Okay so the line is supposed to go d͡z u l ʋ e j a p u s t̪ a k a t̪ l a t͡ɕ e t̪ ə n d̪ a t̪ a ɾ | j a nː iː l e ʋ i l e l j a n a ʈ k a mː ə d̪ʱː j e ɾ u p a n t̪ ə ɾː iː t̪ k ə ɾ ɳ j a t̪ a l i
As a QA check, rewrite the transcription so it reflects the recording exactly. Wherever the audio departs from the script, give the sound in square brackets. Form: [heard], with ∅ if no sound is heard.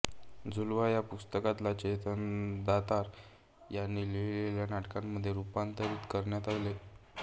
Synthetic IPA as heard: d͡z u l ʋ [a] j a p u s t̪ [ə] k a t̪ l a t͡ɕ e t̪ ə n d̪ a t̪ a ɾ | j a nː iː l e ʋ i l e l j a n a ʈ k a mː ə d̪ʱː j e ɾ u p a n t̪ ə [ɾ] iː t̪ k ə ɾ ɳ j a t̪ a l [e]